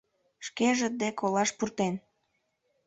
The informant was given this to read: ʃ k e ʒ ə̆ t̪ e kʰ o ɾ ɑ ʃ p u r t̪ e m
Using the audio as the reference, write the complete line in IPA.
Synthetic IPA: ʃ k e ʒ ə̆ d̪ e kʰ o l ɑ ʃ p u r t̪ e n

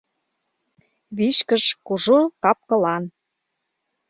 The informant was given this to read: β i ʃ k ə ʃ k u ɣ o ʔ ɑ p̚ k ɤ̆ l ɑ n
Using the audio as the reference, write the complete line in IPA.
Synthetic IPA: β i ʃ k ə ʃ k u ʒ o k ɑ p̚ k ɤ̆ l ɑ n

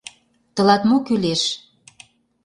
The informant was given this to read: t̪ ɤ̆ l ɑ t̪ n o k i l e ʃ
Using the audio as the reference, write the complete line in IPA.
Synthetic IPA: t̪ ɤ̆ l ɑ t̪ m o k y l e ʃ

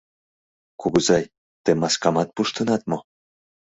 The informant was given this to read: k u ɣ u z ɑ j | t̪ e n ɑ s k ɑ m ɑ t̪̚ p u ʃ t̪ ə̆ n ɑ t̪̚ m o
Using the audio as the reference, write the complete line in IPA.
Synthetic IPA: k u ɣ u z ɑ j | t̪ e m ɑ s k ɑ m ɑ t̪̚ p u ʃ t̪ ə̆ n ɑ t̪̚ m o

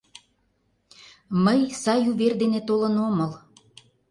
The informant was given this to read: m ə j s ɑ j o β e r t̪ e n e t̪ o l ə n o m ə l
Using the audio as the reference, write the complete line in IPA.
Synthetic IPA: m ə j s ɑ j u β e r d̪ e n e t̪ o l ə n o m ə l

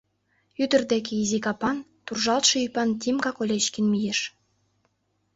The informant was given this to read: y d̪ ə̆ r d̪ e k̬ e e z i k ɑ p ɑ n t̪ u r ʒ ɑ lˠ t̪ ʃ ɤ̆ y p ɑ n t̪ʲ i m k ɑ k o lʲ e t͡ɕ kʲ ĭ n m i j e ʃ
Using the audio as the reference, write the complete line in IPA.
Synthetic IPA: y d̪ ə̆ r d̪ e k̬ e i z i k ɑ p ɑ n t̪ u r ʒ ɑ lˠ t̪ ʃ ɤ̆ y p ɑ n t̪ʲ i m k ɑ k o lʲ e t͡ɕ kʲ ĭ n m i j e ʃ

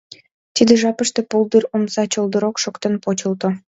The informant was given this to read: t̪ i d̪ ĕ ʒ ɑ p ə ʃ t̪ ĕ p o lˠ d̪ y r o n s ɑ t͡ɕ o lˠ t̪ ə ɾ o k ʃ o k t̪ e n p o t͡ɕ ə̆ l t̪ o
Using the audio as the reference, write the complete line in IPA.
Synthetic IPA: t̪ i d̪ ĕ ʒ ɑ p ə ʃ t̪ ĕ p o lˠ d̪ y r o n s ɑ t͡ɕ o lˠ d̪ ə ɾ o k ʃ o k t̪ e n p o t͡ɕ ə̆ l t̪ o

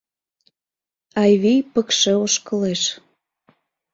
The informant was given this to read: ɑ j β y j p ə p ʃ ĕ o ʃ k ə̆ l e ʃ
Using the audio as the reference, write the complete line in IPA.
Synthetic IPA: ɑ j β i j p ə k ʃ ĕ o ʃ k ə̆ l e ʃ

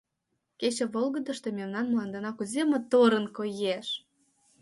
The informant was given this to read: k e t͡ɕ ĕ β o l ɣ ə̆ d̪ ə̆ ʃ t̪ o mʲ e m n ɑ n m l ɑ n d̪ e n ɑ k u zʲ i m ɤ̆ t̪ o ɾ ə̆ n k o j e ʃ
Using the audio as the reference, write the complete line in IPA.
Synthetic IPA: k e t͡ɕ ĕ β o l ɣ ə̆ d̪ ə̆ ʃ t̪ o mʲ e m n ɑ n m l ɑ n d̪ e n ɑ k u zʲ e m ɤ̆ t̪ o ɾ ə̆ n k o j e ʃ

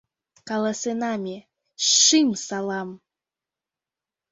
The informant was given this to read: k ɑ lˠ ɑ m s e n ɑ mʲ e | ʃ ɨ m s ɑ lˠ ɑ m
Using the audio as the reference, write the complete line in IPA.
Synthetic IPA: k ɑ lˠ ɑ s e n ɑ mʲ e | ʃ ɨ m s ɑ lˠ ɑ m

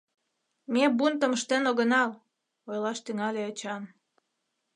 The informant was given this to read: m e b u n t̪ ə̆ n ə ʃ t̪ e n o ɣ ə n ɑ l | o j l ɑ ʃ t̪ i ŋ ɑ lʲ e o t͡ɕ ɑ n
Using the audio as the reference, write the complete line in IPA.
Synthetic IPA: m e b u n t̪ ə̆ m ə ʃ t̪ e n o ɣ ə n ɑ l | o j l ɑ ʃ t̪ y ŋ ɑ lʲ e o t͡ɕ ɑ n

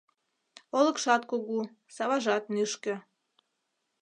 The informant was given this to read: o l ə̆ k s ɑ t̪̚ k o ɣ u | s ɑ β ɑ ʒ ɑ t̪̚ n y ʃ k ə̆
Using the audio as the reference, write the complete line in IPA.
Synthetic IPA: o l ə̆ k ʃ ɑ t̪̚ k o ɣ u | s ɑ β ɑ ʒ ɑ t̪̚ n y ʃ k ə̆

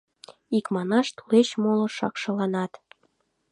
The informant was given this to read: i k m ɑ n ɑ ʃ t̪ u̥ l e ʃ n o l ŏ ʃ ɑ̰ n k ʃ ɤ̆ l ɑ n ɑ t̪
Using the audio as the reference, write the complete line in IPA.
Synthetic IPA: i k m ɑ n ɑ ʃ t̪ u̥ l e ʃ m o l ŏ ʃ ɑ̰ k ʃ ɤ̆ l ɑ n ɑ t̪

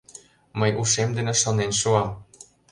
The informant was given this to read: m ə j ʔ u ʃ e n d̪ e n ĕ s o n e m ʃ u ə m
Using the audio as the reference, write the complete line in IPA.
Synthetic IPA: m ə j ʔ u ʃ e m d̪ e n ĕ ʃ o n e n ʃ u ɑ m

